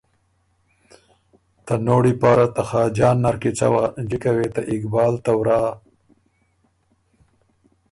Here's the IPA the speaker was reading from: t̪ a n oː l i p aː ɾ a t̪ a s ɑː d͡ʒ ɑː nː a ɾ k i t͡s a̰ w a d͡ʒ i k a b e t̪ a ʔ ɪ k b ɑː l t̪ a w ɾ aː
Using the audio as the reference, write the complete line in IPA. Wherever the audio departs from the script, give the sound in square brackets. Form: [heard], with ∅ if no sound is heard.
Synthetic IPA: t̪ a n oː [ɽ] i p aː ɾ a t̪ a [x] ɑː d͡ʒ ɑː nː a ɾ k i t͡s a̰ w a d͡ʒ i k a [w] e t̪ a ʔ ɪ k b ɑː l t̪ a w ɾ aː

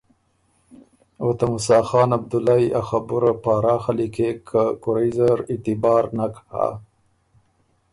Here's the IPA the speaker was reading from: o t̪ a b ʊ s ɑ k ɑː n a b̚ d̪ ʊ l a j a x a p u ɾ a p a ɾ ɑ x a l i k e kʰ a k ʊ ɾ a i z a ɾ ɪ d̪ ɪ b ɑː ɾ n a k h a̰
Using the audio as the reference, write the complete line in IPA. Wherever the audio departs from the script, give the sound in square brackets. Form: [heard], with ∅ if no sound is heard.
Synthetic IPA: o t̪ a [m] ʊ s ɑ [x] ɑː n a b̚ d̪ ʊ l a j a x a [b] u ɾ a p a ɾ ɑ x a l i k e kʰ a k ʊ ɾ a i z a ɾ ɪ [t̪] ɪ b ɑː ɾ n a k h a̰

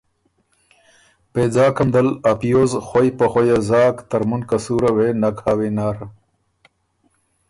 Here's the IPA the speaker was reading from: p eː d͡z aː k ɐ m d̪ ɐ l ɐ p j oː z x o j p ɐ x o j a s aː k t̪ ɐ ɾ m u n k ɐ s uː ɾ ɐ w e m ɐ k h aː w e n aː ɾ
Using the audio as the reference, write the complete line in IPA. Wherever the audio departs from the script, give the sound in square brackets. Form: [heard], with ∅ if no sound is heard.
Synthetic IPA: p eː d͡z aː k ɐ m d̪ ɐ l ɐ p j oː z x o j p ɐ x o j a [z] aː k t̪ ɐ ɾ m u n k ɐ s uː ɾ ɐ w e [n] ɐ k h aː w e n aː ɾ

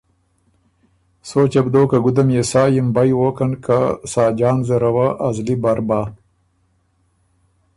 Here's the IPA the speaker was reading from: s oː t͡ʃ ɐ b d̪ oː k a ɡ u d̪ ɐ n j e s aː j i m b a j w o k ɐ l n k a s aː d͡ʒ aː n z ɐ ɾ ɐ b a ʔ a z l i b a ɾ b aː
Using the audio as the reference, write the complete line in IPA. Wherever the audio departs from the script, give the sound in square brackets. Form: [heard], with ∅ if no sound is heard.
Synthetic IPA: s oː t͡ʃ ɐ b d̪ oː k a ɡ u d̪ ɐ [m] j e s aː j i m b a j w o k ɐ [∅] n k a s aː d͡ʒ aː n z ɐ ɾ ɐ [w] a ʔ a z l i b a ɾ b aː

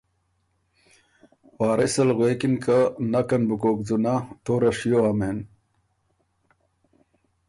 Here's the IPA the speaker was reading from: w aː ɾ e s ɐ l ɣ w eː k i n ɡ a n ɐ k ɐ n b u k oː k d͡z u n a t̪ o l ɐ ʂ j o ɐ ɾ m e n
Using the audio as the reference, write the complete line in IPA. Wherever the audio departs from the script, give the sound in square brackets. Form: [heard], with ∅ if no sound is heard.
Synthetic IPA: w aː ɾ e s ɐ l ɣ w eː k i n [k] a n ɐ k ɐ n b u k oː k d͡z u n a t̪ o [ɾ] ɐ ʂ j o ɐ [∅] m e n

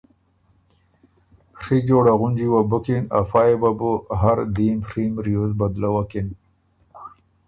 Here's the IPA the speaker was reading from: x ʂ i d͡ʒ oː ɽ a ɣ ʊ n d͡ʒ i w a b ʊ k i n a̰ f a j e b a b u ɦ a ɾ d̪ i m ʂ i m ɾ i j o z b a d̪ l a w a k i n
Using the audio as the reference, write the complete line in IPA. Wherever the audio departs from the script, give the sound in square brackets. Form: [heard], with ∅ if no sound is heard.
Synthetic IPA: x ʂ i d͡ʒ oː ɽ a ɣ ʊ n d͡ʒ i w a b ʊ k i n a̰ f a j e b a b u ɦ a ɾ d̪ i m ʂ i m ɾ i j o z b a d̪ l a w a k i n

